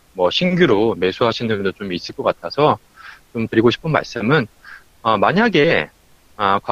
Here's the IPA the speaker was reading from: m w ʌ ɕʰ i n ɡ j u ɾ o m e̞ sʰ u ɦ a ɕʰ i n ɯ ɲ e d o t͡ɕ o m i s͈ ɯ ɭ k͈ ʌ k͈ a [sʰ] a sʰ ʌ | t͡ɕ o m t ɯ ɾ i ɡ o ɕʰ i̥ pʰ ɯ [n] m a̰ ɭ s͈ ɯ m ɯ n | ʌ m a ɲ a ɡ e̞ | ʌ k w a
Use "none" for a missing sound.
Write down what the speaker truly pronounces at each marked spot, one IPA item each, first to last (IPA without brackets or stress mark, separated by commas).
tʰ, n